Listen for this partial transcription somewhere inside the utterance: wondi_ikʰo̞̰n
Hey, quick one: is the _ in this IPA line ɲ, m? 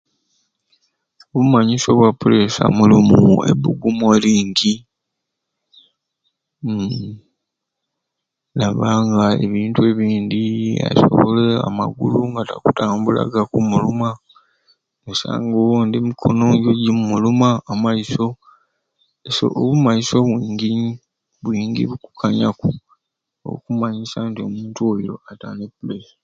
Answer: m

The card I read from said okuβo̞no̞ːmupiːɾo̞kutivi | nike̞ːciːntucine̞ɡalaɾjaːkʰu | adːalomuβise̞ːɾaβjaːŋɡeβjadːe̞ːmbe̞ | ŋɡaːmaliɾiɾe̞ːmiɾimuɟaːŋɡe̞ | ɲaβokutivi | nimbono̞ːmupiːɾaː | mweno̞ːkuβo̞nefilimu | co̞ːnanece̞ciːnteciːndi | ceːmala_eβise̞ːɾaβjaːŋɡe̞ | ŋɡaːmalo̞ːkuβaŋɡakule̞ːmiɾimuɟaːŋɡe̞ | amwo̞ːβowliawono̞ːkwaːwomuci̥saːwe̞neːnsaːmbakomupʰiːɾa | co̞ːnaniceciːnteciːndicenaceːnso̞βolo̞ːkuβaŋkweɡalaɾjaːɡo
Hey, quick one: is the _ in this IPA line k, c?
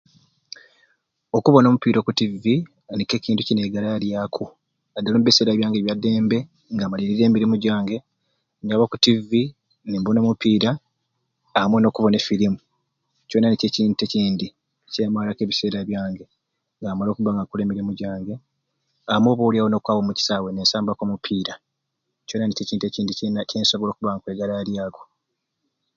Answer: k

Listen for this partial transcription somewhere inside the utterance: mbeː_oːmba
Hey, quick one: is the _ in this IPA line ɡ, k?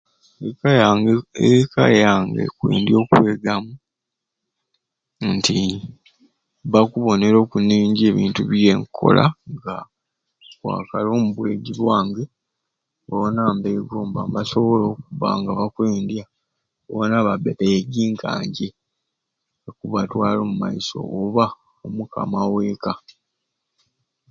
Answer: ɡ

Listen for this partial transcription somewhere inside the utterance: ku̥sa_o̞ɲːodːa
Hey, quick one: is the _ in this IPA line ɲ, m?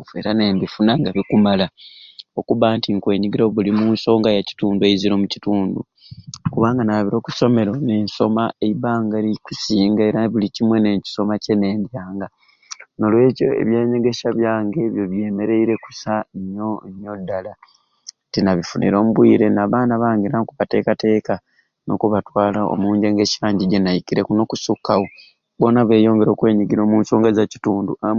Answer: ɲ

